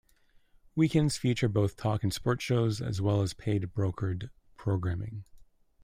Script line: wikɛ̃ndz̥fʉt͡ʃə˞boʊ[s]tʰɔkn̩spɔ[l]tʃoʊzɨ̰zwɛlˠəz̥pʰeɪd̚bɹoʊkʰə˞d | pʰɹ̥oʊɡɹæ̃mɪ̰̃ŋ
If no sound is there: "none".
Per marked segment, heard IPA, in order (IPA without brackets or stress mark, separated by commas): θ, ɹ